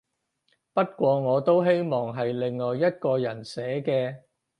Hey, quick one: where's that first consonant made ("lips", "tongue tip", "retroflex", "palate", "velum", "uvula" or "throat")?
lips